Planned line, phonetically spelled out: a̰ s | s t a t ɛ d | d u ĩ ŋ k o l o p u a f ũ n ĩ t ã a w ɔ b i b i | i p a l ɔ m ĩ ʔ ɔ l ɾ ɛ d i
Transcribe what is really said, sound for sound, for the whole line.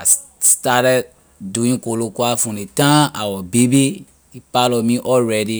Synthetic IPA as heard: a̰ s | s t a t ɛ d | d u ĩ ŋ k o l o k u a f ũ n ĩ t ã a w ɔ b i b i | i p a l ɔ m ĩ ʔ ɔ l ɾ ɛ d i